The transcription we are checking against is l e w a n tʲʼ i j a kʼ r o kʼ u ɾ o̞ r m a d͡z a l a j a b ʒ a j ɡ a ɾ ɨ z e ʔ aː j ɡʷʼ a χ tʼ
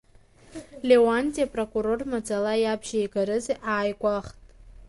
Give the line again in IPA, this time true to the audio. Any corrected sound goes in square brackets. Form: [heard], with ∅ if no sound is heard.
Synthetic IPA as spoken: l e w a n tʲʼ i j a [pʼ] r o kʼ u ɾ o̞ r m a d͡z a l a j a b ʒ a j ɡ a ɾ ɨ z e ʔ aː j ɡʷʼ a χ tʼ